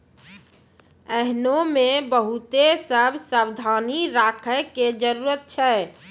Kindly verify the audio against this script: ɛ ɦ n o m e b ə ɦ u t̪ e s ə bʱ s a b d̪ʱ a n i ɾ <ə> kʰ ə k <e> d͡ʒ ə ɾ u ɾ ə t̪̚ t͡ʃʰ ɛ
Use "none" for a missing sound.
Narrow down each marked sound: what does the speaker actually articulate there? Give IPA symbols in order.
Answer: a, e

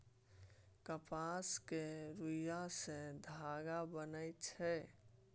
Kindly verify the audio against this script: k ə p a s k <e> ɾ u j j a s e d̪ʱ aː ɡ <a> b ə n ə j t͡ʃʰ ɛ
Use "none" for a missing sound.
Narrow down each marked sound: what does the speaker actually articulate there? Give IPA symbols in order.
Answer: e, a

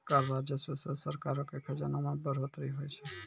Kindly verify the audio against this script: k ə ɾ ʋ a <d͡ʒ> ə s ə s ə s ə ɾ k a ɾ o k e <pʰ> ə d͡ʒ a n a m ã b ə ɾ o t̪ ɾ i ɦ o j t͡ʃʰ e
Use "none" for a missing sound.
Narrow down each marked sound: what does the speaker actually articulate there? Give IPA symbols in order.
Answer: d͡ʒ, kʰ

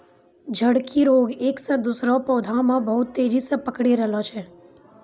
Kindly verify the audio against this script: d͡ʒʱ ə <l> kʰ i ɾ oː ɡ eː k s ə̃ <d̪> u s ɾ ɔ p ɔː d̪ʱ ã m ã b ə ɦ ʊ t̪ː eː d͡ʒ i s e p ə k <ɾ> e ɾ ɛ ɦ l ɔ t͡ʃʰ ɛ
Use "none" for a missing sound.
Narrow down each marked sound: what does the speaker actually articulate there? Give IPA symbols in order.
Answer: ɽ, d̪, ɽ

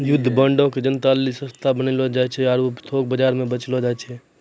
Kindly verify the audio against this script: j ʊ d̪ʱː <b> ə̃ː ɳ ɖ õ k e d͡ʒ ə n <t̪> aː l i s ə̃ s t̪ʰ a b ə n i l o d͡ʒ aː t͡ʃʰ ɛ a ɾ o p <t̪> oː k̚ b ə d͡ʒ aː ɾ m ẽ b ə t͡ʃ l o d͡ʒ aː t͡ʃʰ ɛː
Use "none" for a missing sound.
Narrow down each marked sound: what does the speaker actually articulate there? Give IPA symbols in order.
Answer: b, t̪, t̪ʰ

